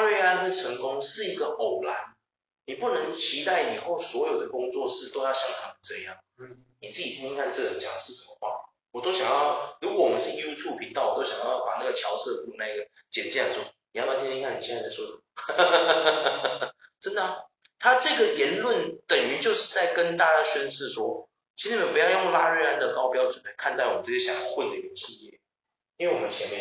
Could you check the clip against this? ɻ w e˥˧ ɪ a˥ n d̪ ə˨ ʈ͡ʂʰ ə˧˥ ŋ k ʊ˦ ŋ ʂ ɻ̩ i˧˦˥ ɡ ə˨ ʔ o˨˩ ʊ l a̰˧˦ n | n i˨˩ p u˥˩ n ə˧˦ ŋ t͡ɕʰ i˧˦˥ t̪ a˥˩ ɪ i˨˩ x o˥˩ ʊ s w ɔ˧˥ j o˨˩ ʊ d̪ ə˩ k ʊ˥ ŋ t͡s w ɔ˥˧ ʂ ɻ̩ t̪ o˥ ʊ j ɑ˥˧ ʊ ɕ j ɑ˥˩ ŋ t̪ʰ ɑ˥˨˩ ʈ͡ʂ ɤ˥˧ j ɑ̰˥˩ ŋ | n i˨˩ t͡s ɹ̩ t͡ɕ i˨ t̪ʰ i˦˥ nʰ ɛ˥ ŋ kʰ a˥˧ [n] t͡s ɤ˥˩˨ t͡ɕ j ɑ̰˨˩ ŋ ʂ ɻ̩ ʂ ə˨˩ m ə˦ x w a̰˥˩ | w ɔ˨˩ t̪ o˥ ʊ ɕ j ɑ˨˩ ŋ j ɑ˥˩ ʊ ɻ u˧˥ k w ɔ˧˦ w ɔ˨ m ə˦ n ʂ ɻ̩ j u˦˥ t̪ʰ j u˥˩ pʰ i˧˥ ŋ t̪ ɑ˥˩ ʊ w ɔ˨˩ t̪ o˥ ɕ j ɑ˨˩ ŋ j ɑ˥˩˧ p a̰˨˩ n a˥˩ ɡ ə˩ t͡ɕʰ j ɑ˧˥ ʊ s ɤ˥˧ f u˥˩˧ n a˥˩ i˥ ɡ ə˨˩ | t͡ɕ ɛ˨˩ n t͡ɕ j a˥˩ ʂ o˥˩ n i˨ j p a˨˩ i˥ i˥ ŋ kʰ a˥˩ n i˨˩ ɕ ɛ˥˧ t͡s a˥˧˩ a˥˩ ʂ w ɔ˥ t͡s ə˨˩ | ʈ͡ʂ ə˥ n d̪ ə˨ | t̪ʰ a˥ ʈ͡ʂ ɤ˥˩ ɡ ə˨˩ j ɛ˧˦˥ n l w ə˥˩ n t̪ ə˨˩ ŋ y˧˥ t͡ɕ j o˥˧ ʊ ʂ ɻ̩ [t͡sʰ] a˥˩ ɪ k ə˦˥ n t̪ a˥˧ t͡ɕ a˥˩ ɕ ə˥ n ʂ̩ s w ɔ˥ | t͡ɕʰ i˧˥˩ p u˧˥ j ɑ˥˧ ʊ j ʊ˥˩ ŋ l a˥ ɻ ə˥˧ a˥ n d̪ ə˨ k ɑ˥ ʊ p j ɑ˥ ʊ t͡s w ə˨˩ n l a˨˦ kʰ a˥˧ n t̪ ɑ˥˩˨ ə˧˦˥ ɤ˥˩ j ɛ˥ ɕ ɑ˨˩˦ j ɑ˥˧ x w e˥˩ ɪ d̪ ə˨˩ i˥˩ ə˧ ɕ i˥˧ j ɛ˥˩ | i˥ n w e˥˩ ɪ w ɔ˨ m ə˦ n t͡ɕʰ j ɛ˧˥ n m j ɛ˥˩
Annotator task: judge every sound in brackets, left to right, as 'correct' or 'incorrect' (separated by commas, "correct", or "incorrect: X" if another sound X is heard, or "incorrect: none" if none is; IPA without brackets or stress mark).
correct, incorrect: t͡s